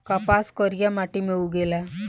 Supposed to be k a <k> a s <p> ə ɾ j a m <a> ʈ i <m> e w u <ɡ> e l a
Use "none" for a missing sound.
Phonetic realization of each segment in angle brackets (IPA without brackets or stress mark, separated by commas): p, k, a, m, ɡ